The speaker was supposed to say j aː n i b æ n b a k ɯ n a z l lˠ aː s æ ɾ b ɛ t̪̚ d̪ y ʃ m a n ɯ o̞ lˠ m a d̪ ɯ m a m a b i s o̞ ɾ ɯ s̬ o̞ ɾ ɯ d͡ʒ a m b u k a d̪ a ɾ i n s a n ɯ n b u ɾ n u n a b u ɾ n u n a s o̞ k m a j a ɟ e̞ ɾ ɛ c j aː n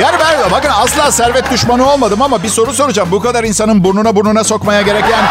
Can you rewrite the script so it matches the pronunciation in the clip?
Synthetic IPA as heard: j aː n i b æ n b a k ɯ n a s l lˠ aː s æ ɾ v ɛ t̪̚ d̪ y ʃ m a n ɯ o̞ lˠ m a d̪ ɯ m a m a b i s o̞ ɾ u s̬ o̞ ɾ u d͡ʒ a m b u k a d̪ a ɾ i n s a n ɯ n b u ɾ n u n a b u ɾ n u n a s o̞ k m a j a ɟ e̞ ɾ ɛ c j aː n